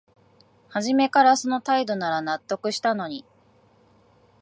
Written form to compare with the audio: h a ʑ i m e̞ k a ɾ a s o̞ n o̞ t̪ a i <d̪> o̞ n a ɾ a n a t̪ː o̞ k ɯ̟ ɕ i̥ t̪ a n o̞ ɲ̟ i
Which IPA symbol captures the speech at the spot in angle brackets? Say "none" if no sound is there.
d̪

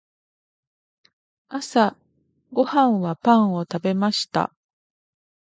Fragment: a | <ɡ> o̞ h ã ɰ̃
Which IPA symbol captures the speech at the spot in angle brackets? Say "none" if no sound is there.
ɡ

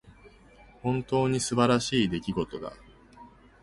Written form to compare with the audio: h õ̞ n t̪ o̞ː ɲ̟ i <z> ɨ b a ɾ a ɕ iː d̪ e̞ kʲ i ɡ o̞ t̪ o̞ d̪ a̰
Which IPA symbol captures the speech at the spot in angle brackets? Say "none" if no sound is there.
s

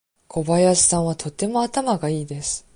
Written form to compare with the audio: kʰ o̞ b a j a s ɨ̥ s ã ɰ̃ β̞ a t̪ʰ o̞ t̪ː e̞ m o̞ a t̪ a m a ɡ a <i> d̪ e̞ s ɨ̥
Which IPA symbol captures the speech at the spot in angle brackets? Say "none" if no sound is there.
iː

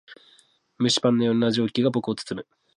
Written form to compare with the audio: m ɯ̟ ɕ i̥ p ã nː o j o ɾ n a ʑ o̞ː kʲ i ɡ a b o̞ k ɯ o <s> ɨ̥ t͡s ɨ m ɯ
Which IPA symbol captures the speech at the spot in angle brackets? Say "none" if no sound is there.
t͡s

